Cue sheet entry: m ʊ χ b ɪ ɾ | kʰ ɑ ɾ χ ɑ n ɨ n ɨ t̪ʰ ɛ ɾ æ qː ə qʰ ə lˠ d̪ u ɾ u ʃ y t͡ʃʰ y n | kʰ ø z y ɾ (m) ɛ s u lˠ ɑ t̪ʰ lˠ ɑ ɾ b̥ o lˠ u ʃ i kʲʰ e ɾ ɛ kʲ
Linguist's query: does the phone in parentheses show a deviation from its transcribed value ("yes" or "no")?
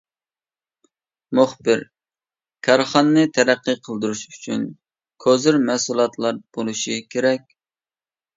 no